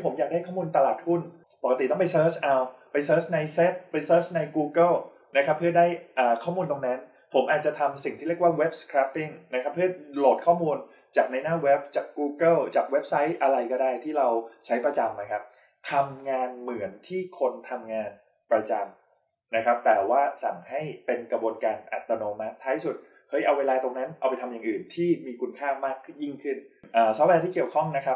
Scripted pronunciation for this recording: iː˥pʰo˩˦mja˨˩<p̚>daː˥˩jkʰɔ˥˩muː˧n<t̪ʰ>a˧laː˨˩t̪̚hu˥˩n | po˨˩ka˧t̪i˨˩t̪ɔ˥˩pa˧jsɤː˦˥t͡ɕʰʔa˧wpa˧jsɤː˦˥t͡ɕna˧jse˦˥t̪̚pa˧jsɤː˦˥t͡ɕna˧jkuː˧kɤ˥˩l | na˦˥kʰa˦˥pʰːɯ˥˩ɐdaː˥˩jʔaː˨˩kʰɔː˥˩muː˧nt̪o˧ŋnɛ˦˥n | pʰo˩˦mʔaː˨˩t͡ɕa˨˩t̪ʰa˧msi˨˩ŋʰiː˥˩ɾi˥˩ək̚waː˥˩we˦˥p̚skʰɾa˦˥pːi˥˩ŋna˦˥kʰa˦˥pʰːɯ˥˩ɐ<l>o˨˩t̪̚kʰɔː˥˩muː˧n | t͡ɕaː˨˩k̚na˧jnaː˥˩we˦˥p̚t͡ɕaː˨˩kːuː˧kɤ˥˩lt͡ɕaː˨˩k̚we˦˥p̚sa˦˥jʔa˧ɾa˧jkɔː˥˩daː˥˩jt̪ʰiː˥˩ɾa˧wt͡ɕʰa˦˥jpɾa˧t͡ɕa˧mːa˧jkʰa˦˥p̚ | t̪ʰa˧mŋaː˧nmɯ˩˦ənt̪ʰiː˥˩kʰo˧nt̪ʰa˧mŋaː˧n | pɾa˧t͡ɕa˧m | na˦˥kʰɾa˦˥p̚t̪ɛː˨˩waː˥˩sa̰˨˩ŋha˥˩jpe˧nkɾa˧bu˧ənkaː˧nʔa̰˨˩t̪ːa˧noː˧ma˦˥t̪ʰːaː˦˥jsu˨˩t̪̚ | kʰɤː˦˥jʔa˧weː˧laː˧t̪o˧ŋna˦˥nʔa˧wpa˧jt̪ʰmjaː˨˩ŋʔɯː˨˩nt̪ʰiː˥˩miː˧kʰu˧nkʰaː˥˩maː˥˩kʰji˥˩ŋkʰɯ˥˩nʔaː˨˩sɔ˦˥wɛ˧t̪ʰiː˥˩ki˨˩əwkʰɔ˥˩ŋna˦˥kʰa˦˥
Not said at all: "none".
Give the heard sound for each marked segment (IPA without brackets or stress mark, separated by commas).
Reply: k̚, t̪, l